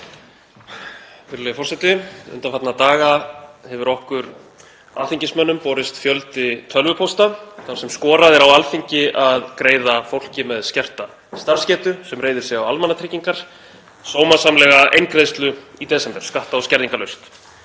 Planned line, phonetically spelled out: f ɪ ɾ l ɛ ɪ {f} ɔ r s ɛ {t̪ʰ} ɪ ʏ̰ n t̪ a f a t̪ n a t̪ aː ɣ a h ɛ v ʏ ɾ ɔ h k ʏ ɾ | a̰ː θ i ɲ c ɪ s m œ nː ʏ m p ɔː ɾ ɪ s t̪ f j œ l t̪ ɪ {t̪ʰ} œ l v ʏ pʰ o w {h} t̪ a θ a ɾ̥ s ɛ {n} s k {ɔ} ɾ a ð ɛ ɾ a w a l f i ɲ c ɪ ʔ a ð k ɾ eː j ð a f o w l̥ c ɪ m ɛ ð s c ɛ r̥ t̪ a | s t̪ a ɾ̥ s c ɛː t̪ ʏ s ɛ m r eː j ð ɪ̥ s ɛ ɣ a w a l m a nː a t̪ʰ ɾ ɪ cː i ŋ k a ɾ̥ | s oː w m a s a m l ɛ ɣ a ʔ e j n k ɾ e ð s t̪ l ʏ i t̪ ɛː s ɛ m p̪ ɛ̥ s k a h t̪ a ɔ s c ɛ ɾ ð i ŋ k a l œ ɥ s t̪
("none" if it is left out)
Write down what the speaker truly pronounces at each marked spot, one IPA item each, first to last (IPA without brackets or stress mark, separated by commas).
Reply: f, t̪, t̪ʰ, s, m, ɔː